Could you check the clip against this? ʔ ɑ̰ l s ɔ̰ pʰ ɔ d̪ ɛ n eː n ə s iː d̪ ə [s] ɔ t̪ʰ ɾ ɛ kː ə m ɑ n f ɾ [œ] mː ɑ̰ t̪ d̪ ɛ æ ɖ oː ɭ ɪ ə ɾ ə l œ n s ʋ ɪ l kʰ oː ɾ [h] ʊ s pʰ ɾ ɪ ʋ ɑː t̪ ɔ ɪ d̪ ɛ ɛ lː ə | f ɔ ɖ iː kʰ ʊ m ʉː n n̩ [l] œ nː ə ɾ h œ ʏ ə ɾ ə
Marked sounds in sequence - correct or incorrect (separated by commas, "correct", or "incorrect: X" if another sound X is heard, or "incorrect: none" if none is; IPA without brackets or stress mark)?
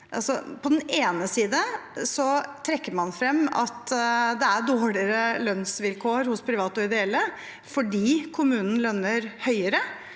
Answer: correct, incorrect: ɛ, correct, correct